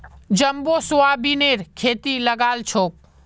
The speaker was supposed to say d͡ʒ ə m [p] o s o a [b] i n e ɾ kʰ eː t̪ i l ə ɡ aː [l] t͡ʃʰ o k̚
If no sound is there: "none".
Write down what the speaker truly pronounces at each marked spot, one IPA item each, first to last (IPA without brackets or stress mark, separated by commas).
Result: b, b, l